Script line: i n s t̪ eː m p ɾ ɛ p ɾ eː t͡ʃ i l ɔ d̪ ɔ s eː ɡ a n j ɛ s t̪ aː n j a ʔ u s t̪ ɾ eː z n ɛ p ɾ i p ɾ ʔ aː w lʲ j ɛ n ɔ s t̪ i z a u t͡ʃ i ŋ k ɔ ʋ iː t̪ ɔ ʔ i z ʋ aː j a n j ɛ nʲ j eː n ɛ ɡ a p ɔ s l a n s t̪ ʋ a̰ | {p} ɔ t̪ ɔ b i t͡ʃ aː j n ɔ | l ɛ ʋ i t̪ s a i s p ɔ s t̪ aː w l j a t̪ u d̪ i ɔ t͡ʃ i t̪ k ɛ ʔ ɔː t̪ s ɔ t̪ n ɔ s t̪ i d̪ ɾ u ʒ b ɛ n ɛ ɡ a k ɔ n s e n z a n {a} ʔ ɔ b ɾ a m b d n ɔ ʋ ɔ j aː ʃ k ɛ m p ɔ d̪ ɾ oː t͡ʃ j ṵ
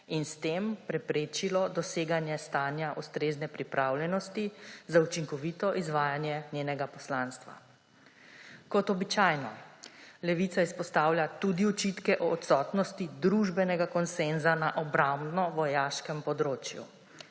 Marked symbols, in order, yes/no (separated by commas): no, yes